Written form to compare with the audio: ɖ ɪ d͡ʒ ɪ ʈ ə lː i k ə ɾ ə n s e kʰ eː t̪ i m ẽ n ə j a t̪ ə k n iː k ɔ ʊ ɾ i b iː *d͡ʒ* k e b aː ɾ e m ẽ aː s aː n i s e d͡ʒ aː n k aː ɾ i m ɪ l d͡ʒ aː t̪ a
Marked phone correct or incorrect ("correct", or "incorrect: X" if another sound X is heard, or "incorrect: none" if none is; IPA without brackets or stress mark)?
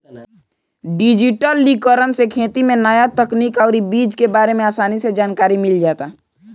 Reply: correct